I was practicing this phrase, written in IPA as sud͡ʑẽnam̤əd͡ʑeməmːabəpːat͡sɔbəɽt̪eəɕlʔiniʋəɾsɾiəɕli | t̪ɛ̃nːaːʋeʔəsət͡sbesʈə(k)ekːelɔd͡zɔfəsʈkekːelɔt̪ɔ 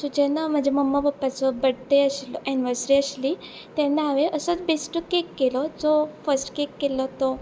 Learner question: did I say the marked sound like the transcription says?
yes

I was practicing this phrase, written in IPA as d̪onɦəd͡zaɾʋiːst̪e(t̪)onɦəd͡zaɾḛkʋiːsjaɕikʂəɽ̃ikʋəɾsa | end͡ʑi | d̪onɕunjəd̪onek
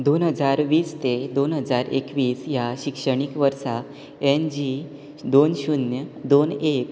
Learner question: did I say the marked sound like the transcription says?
no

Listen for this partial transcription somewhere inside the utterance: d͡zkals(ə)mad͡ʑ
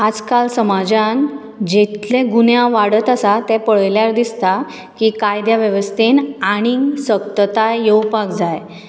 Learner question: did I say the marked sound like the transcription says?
yes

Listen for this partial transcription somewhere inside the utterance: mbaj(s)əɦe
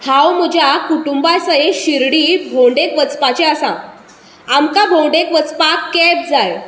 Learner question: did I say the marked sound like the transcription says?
yes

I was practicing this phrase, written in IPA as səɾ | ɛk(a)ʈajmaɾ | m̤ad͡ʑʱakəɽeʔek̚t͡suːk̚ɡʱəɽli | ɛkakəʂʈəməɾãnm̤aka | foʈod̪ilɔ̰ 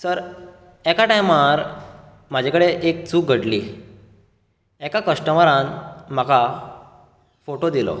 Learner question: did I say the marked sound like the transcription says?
yes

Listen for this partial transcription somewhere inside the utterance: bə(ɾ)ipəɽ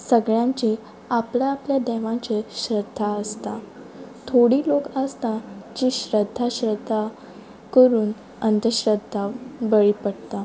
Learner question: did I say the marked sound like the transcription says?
no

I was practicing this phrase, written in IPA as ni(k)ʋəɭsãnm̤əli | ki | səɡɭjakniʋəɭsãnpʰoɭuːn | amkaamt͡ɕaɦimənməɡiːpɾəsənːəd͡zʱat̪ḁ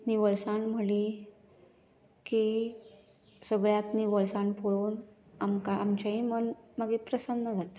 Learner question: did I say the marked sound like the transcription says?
no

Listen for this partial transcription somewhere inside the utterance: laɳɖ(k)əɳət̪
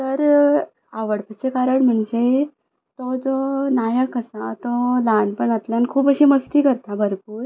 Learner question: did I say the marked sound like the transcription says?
no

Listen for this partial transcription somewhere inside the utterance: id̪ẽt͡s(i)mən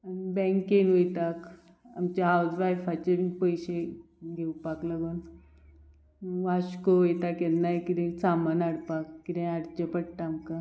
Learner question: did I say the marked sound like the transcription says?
no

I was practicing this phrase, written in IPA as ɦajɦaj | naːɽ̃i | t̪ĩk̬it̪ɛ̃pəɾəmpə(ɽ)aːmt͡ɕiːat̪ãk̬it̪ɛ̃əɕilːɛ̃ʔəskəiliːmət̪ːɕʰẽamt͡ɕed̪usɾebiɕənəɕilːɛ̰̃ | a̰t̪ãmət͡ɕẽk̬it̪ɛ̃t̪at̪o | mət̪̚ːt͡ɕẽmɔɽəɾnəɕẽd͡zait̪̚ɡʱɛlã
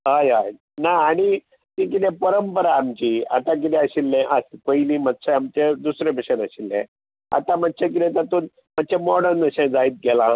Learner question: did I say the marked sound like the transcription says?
no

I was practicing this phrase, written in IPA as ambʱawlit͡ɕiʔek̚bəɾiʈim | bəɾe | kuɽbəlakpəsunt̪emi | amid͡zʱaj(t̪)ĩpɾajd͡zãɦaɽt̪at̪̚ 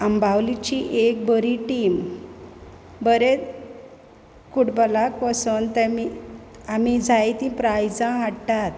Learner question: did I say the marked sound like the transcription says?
yes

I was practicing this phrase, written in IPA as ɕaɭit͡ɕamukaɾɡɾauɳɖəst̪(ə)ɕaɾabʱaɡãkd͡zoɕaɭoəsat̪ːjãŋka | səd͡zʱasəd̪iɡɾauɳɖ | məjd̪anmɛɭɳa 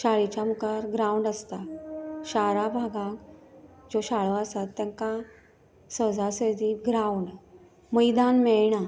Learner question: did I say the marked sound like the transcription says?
no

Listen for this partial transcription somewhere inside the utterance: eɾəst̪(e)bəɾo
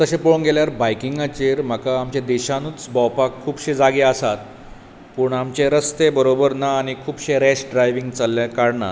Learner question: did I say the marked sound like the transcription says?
yes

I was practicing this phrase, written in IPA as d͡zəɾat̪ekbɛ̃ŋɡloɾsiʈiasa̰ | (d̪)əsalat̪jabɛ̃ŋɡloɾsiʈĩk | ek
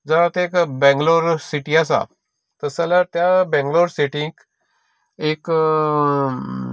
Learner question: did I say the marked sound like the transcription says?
no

